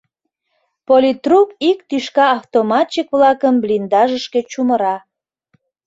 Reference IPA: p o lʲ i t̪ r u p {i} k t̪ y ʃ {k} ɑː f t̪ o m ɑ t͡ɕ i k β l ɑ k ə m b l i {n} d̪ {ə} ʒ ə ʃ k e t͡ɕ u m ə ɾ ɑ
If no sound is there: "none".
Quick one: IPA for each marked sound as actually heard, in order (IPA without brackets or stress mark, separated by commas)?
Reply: i, k, n, ɑ